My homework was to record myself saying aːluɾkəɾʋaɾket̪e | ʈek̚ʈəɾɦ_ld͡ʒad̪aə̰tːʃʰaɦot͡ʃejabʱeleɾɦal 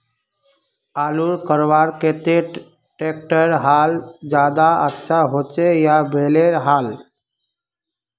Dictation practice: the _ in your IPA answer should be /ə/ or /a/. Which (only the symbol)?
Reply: a